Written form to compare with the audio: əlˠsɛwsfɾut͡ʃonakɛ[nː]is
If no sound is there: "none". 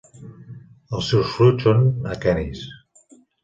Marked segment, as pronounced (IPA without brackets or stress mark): n